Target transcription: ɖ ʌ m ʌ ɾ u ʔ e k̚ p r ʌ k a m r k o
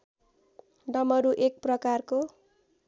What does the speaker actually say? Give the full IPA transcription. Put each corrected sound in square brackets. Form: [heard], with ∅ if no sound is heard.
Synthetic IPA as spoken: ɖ ʌ m ʌ ɾ u ʔ e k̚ p r ʌ k a [∅] r k o